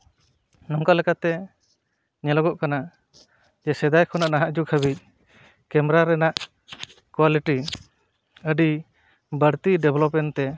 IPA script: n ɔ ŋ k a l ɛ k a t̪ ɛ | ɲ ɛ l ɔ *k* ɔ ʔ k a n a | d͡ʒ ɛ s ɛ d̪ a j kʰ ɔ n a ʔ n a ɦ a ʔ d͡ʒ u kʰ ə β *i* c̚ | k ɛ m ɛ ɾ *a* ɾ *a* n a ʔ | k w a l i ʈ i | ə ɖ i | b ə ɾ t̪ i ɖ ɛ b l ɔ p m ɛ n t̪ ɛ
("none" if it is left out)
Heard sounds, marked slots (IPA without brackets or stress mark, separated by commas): ɡ, i, a, ɛ